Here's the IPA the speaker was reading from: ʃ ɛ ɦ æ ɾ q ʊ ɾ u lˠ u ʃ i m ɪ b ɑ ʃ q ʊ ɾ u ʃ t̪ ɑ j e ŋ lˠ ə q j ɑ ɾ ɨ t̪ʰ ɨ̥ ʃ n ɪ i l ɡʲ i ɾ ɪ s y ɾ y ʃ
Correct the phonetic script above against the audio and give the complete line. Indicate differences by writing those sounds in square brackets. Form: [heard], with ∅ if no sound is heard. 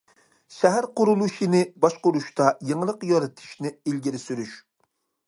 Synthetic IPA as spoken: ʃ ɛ ɦ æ ɾ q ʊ ɾ u lˠ u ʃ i [n] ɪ b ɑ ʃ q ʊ ɾ u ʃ t̪ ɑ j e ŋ lˠ ə q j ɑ ɾ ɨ t̪ʰ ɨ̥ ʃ n ɪ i l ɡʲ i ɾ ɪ s y ɾ y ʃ